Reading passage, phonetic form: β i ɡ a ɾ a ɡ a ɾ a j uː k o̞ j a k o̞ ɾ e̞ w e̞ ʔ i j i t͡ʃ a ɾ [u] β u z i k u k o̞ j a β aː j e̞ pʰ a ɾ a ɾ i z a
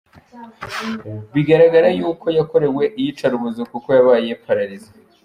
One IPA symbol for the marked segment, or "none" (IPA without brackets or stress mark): u